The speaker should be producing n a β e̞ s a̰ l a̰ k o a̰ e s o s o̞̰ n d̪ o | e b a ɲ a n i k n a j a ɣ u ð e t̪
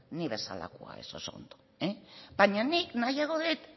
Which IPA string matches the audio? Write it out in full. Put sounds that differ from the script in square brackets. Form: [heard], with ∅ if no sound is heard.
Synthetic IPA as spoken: n [i] β e̞ s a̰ l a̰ k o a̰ e s o s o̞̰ n d̪ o | e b a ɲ a n i k n a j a ɣ [o] ð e t̪